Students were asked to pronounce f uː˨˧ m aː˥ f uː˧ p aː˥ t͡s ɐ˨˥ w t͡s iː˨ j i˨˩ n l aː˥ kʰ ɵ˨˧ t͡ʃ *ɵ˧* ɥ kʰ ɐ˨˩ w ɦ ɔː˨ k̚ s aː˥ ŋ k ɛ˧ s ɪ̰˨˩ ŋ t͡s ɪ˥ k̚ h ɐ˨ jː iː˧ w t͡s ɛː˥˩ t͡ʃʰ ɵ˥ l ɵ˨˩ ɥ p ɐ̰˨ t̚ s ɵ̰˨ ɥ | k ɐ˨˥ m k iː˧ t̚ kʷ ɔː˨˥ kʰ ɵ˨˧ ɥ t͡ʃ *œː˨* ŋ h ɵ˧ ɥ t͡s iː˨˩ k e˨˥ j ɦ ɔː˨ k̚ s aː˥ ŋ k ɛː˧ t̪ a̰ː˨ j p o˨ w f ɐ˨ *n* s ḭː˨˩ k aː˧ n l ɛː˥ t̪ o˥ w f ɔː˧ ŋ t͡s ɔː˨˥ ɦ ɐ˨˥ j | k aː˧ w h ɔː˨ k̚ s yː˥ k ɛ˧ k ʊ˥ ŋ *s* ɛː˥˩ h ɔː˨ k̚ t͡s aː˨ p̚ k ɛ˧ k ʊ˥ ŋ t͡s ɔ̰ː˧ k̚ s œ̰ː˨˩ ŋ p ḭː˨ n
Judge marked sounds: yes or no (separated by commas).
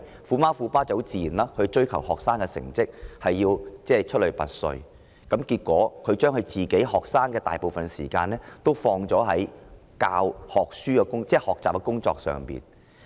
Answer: no, no, yes, no